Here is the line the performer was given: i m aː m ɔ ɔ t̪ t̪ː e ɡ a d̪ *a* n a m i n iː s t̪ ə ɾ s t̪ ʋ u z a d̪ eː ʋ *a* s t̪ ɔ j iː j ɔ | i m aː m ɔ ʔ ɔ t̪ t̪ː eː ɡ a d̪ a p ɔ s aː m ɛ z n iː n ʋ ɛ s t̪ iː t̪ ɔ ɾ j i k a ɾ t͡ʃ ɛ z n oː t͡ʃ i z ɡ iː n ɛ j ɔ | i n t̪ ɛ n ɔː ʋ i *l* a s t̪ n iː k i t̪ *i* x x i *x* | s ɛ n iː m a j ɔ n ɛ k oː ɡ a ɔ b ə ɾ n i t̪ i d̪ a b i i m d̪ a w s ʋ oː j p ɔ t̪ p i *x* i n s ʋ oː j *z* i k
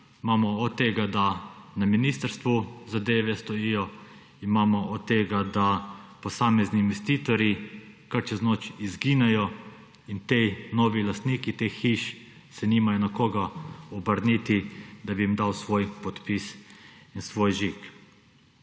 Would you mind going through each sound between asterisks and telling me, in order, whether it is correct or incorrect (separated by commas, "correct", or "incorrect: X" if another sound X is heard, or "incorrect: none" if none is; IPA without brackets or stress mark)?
correct, incorrect: ɛ, correct, incorrect: e, incorrect: ʃ, incorrect: s, incorrect: ʒ